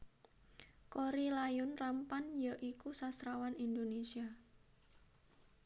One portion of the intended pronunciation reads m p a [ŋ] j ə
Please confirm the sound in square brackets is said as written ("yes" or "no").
no